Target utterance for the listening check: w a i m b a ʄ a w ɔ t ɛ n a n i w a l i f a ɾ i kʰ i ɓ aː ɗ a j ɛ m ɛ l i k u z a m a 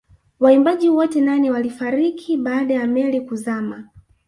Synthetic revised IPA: w a i m b a ʄ i w ɔ t ɛ n a n i w a l i f a ɾ i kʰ i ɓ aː ɗ a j a m ɛ l i k u z a m a